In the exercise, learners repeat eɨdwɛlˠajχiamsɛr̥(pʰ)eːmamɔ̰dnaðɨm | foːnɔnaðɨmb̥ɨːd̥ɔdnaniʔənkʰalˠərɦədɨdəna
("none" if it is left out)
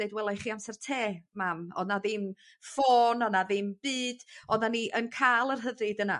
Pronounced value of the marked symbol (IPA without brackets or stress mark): tʰ